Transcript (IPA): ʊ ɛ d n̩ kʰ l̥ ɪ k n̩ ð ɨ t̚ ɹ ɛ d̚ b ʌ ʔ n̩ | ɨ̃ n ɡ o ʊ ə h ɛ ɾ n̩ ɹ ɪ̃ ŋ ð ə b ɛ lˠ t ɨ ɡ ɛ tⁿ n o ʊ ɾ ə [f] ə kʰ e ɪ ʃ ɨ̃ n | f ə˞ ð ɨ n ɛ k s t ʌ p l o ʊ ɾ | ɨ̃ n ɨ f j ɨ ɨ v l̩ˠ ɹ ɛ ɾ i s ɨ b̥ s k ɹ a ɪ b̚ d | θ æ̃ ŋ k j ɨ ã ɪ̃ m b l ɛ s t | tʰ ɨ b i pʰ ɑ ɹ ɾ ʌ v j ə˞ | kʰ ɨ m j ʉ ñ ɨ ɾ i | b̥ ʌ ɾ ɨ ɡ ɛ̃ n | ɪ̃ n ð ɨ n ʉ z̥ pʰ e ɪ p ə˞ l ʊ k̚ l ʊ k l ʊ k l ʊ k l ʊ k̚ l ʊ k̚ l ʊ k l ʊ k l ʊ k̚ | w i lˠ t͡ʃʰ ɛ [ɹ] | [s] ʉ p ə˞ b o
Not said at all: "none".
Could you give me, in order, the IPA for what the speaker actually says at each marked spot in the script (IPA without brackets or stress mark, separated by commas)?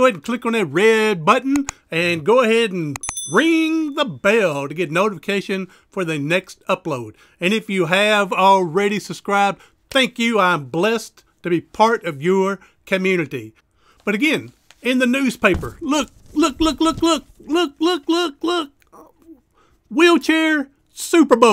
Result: f, ɹ, s